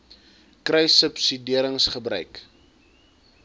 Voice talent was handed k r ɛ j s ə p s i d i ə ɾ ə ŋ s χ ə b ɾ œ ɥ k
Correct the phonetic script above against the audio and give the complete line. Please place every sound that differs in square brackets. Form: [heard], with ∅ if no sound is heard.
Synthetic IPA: k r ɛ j s ə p s i d i ə ɾ ə ŋ s χ ə b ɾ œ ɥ k